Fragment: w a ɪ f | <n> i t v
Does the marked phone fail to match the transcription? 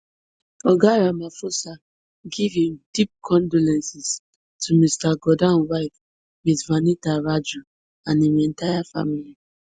yes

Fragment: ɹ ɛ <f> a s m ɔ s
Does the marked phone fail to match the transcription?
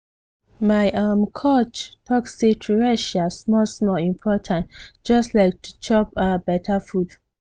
yes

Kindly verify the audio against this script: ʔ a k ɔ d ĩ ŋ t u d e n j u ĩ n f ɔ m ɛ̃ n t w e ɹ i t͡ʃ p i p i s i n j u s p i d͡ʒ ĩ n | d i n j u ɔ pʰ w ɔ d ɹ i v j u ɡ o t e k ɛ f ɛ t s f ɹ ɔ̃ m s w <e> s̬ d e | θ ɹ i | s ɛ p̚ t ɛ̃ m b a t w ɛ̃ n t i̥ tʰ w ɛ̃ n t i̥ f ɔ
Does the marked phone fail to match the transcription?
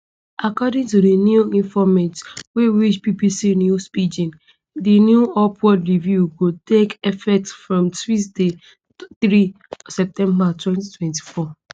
yes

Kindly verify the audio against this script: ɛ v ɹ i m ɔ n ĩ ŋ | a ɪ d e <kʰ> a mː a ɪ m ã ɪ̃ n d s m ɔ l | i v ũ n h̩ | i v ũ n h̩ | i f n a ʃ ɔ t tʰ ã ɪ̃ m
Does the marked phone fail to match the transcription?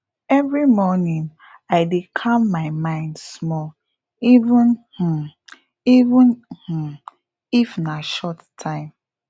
no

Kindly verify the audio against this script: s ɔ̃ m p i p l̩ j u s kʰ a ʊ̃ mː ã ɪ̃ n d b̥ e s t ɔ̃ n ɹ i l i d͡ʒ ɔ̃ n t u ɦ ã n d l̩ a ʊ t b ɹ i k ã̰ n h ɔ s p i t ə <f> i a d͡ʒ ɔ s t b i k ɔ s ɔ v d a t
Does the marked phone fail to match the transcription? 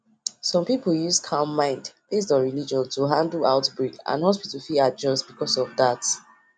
no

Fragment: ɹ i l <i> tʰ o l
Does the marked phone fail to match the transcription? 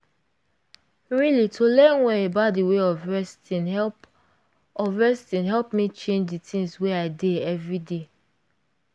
no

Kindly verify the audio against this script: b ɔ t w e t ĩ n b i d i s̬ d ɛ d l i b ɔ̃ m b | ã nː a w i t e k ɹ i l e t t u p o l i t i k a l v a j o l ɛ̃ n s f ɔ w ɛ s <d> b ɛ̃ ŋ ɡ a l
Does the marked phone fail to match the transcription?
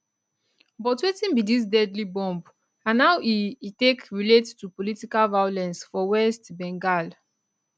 yes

